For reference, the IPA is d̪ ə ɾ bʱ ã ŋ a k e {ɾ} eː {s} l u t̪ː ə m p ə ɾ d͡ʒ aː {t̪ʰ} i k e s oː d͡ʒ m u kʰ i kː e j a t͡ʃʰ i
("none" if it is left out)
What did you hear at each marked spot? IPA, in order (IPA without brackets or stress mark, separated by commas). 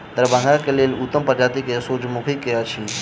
l, none, t̪